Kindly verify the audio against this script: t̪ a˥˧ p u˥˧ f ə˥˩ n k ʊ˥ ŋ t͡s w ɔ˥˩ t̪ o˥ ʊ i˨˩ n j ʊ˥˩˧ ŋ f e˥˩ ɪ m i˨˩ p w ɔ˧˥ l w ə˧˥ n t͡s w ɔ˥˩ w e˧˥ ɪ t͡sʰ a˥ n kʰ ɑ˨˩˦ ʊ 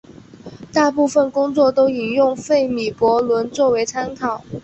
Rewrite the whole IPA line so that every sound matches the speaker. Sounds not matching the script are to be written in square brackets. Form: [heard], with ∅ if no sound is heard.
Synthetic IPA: t̪ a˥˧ p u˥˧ f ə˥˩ n k ʊ˥ ŋ t͡s w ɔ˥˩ t̪ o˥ ʊ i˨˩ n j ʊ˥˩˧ ŋ f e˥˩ ɪ m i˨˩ p w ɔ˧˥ l w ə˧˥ n t͡s w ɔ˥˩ w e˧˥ ɪ t͡sʰ a˥ n kʰ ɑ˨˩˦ ʊ